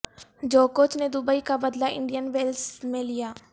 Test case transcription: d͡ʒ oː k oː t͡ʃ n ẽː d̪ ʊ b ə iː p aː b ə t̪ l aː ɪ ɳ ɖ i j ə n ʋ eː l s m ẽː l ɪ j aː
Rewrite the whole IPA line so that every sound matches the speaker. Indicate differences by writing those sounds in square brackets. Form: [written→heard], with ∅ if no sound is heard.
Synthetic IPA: d͡ʒ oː k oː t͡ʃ n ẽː d̪ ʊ b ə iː [p→k] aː b ə [t̪→d̪] l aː ɪ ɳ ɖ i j ə n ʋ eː l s m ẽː l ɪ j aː